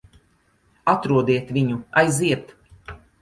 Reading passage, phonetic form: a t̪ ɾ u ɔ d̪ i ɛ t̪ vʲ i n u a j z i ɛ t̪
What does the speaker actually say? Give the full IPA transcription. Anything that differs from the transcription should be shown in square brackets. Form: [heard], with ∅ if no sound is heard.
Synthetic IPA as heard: a t̪ ɾ u ɔ d̪ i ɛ t̪ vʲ i [ɲ] u a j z i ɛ t̪